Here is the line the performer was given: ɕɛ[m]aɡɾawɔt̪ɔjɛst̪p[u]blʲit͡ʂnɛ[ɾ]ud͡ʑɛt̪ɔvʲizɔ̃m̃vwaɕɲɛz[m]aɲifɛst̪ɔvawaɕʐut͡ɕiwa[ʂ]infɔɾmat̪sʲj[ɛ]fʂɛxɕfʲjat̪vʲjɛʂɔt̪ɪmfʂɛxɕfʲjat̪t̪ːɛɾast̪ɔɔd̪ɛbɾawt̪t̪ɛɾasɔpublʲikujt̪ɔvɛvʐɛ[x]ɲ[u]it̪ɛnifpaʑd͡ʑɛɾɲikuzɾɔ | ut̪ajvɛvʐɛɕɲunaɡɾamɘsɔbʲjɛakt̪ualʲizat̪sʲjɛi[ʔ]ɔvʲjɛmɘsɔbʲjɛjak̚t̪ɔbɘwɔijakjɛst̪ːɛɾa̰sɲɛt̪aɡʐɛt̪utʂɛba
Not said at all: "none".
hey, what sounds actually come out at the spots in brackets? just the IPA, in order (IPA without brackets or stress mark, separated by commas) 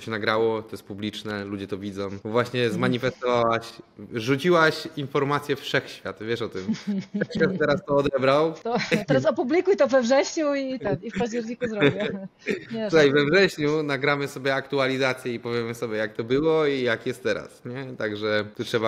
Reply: n, u, l, m, ɕ, ɛ, ɕ, u, p